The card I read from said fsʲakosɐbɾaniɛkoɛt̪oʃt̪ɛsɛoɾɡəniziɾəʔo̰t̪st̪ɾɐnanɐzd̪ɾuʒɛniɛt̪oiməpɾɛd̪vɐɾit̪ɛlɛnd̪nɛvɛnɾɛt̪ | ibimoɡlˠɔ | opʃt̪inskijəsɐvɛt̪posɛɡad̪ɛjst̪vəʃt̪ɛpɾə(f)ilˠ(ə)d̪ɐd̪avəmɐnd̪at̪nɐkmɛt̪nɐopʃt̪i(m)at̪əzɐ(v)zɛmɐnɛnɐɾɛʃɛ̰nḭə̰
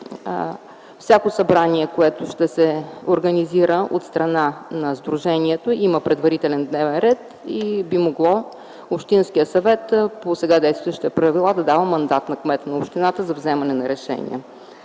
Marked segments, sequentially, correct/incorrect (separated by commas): incorrect, incorrect, incorrect, correct